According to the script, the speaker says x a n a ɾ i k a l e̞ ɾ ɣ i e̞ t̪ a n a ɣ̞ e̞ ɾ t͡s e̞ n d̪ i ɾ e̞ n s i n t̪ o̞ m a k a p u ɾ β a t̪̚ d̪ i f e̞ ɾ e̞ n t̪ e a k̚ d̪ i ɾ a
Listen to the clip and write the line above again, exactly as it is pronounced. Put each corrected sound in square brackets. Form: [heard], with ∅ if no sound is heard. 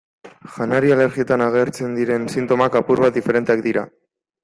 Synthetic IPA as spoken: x a n a ɾ i [∅] a l e̞ ɾ ɣ i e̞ t̪ a n a ɣ̞ e̞ ɾ t͡s e̞ n d̪ i ɾ e̞ n s i n t̪ o̞ m a k a p u ɾ β a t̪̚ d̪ i f e̞ ɾ e̞ n t̪ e a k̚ d̪ i ɾ a